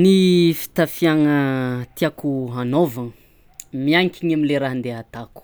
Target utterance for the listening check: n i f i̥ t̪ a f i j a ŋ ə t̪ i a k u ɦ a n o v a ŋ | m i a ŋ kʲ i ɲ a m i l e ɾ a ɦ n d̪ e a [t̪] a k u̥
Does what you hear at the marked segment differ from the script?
no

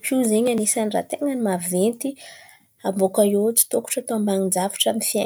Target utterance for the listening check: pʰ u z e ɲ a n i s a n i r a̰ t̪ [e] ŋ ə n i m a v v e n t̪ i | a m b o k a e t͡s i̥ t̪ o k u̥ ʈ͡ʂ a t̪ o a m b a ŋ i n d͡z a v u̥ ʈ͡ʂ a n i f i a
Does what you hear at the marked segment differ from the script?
no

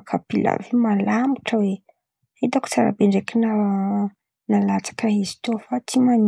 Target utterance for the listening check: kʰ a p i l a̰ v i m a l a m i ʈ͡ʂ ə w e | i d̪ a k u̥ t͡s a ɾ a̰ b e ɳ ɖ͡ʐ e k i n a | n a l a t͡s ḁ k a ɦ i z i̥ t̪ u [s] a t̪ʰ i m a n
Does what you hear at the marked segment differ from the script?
yes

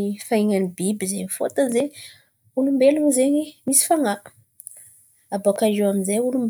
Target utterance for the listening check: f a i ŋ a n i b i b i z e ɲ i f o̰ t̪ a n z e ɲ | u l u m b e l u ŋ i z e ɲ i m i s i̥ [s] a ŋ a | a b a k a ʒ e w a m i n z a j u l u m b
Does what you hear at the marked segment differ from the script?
yes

